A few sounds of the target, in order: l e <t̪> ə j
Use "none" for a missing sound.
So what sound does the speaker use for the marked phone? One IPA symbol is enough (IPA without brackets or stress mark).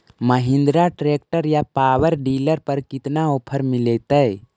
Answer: t̪